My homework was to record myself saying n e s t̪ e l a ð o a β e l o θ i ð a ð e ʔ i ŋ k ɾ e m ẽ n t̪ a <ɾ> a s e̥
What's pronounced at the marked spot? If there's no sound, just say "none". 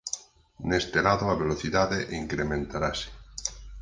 ɾ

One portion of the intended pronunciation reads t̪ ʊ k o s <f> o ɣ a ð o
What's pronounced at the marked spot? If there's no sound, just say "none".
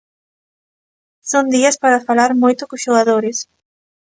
ʃ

